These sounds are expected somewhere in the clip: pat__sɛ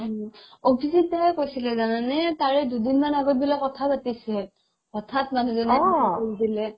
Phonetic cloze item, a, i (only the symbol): i